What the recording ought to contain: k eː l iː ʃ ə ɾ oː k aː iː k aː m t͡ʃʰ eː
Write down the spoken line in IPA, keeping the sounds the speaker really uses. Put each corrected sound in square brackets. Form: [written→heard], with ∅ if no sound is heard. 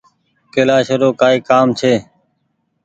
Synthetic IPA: k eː l [iː→aː] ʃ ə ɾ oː k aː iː k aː m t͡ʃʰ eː